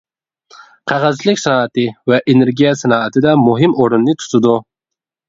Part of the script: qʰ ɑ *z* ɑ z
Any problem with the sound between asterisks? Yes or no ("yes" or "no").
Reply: yes